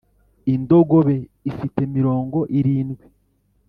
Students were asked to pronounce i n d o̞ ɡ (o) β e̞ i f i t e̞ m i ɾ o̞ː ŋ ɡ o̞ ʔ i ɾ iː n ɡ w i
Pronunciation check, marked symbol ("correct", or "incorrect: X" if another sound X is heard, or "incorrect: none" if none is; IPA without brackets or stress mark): correct